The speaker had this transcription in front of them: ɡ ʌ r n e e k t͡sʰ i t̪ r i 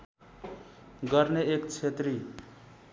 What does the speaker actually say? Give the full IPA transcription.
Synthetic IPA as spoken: ɡ ʌ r n e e k t͡sʰ e t̪ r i